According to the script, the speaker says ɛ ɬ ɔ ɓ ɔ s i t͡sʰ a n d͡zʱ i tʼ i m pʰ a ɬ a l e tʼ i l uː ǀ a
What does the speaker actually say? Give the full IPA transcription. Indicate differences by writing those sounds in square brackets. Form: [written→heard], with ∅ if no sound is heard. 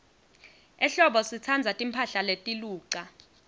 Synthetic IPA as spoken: ɛ ɬ ɔ ɓ ɔ s i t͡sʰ a n d͡zʱ [i→a] tʼ i m pʰ a ɬ a l e tʼ i l uː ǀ a